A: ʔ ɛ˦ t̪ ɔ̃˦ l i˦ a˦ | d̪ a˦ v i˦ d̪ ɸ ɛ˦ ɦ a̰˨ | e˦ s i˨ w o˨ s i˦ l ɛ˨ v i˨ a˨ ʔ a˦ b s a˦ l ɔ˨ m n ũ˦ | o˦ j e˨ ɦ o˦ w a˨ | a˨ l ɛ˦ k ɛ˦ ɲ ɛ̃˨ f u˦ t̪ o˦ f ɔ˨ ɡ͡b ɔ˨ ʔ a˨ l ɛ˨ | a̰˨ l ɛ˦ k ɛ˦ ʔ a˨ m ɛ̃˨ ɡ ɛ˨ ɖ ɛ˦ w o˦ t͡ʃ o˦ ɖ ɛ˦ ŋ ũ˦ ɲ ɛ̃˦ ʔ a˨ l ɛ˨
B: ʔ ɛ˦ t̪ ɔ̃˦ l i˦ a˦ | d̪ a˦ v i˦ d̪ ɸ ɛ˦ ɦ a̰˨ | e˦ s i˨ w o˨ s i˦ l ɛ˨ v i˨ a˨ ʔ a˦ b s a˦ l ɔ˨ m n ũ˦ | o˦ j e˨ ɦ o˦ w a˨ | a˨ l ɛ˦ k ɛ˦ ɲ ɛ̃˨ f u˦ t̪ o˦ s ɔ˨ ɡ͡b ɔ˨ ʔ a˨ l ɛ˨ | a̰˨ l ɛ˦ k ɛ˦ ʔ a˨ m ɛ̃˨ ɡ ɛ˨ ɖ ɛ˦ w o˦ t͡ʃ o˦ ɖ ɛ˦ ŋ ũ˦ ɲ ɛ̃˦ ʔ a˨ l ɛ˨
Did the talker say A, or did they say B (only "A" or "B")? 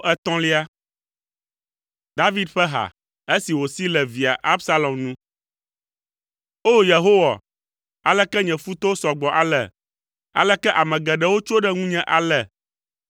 B